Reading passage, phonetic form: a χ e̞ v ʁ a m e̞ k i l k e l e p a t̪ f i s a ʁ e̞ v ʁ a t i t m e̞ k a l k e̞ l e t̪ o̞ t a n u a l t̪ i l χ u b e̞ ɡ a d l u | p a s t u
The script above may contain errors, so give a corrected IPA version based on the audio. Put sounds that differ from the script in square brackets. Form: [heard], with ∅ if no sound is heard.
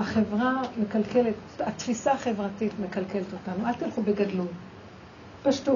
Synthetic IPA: a χ e̞ v ʁ a m e̞ k [a] l k e l e [t] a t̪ f i s a [χ] e̞ v ʁ a t i t m e̞ k a l k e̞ l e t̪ o̞ t a n u a l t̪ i l χ u b e̞ ɡ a d l u | p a [ʃ] t u